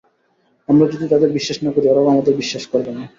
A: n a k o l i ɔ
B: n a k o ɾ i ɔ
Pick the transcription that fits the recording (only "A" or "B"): B